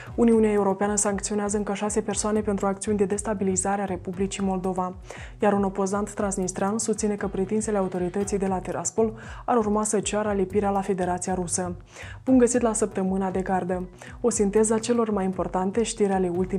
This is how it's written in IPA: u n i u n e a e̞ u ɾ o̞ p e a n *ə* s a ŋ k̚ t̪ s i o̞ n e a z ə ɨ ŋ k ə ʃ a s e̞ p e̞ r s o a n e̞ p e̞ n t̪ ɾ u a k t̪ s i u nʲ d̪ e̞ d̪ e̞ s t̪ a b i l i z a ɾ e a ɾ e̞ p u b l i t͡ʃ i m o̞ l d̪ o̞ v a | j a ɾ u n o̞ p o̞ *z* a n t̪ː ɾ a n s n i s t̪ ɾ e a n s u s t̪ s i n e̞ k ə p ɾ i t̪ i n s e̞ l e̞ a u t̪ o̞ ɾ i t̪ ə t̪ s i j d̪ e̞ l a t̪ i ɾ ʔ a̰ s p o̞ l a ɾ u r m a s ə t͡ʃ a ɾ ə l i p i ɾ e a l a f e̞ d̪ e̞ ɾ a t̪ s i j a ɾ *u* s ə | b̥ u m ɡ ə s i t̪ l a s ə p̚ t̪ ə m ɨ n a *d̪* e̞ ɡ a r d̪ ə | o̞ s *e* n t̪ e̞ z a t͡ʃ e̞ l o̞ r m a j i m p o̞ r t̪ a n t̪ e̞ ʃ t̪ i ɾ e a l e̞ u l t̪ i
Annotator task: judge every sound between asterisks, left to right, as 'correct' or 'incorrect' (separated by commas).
correct, correct, correct, correct, incorrect